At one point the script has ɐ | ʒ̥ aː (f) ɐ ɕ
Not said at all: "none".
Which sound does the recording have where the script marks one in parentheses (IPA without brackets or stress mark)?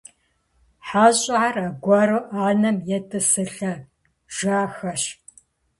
x